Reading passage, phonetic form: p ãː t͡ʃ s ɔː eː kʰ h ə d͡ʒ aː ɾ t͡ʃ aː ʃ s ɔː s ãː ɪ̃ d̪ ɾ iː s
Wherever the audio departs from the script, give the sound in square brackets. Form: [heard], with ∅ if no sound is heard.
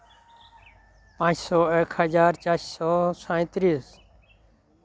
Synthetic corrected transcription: p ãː t͡ʃ s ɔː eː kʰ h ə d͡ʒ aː ɾ t͡ʃ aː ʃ s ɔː s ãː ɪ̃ [t̪] ɾ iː s